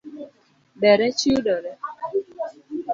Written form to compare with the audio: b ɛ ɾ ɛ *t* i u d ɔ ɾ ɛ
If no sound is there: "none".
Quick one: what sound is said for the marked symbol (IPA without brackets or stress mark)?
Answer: t͡ʃ